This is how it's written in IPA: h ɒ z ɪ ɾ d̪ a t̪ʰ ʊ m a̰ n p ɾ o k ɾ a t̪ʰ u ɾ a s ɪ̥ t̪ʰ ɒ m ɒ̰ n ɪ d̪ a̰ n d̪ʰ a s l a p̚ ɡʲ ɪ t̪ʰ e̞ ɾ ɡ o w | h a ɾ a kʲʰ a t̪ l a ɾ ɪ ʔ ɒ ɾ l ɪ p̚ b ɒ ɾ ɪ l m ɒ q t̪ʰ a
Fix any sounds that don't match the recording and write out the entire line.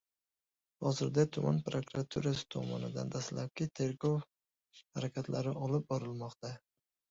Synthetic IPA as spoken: h ɒ z ɪ ɾ d̪ a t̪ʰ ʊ m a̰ n p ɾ o k ɾ a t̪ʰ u ɾ a s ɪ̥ t̪ʰ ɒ m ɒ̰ n ɪ d̪ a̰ n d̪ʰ a s l a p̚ kʲ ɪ t̪ʰ e̞ ɾ ɡ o w | h a ɾ a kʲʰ a t̪ l a ɾ ɪ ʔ ɒ l ɪ p̚ b ɒ ɾ ɪ l m ɒ q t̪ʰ a

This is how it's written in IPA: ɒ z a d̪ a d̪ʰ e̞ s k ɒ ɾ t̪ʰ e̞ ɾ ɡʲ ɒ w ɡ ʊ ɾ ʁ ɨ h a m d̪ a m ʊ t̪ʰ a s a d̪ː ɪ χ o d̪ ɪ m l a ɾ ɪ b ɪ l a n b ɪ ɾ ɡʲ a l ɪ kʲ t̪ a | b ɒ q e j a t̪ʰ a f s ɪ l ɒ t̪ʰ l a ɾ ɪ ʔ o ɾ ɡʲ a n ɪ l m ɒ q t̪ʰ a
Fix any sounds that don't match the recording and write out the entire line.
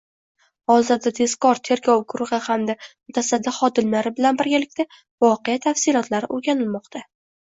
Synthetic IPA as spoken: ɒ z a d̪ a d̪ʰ e̞ s k ɒ ɾ t̪ʰ e̞ ɾ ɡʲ ɒ w ɡ ʊ ɾ ʁ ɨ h a m d̪ a m ʊ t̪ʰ a s a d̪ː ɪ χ ɒ d̪ ɪ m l a ɾ ɪ b ɪ l a n b ɪ ɾ ɡʲ a l ɪ kʲ t̪ a | v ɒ q e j a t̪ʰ a f s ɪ l ɒ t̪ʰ l a ɾ ɪ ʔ o ɾ ɡʲ a n ɪ l m ɒ q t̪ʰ a

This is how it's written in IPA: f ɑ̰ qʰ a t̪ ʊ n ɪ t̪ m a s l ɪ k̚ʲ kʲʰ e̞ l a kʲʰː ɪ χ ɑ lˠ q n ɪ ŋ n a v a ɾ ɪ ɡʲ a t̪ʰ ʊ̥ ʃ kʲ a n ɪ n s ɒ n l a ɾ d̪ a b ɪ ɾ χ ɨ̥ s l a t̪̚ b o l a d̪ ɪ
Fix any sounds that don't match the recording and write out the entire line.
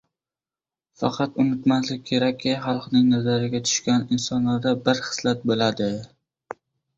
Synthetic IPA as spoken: f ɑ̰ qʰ ɑ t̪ ʊ n ɪ t̪ m a s l ɪ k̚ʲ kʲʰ e̞ ɾ a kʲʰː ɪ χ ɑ lˠ q n ɪ ŋ n a z a ɾ ɪ ɡʲ a t̪ʰ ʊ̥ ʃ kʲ a n ɪ n s ɒ n l a ɾ d̪ a b ɪ ɾ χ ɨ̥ s l a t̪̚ b o l a d̪ ɪ

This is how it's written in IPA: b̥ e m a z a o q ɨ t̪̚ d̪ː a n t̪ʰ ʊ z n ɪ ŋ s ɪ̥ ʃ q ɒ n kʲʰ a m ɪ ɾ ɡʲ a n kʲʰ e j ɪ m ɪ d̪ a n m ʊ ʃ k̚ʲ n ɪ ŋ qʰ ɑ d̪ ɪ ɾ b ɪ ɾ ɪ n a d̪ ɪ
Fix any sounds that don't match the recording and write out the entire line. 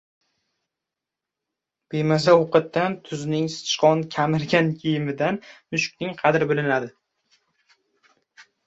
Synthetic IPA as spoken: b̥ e m a z a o q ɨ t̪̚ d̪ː a n t̪ʰ ʊ z n ɪ ŋ s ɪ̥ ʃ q ɒ n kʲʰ a m ɪ ɾ ɡʲ a n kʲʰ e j ɪ m ɪ d̪ a n m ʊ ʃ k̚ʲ n ɪ ŋ qʰ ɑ d̪ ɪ ɾ b ɪ l ɪ n a d̪ ɪ

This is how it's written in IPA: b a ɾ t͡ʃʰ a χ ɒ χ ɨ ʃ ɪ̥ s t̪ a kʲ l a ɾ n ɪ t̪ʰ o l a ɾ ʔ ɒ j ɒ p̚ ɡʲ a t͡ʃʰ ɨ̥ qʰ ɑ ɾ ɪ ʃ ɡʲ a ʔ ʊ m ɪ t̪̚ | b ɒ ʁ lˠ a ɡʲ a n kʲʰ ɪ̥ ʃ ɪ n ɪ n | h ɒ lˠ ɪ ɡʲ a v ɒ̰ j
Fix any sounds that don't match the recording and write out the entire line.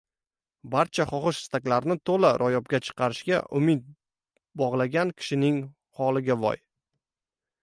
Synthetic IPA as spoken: b a ɾ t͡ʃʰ a χ ɒ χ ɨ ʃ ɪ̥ s t̪ a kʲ l a ɾ n ɪ t̪ʰ o l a ɾ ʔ ɒ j ɒ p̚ ɡʲ a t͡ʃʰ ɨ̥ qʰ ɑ ɾ ɪ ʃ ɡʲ a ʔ ʊ m ɪ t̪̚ | b ɒ ʁ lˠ a ɡʲ a n kʲʰ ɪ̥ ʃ ɪ n ɪ ŋ | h ɒ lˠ ɪ ɡʲ a v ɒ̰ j

